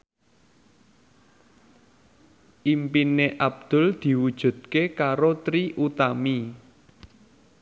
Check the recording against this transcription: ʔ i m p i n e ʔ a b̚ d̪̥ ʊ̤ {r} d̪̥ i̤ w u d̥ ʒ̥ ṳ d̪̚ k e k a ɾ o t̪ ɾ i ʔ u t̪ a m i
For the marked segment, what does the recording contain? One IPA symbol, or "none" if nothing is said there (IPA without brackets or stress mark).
l